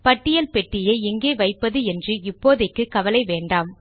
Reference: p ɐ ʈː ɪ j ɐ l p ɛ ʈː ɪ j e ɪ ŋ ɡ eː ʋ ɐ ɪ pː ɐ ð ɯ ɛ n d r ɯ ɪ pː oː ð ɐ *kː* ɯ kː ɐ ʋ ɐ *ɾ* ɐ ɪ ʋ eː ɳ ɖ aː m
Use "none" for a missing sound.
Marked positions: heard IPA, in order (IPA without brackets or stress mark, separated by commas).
kː, l